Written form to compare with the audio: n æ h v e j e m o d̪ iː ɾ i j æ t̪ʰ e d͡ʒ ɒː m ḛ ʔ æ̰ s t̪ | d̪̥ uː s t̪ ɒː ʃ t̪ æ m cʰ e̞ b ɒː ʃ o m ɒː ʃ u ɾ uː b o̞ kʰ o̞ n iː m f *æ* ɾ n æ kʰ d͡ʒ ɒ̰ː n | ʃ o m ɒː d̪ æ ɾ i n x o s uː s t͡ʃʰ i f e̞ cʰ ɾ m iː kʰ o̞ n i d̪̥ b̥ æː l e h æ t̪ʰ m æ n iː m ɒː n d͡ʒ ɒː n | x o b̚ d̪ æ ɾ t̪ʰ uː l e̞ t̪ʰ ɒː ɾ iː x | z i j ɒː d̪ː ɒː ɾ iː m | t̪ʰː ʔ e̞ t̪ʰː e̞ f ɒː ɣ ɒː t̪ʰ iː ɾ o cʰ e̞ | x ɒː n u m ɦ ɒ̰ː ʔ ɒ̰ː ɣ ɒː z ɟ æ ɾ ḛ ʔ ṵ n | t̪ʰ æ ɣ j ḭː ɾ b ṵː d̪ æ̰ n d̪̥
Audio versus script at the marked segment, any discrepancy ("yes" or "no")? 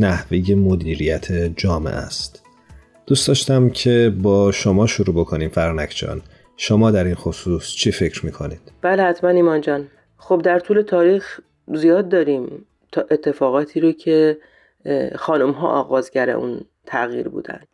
no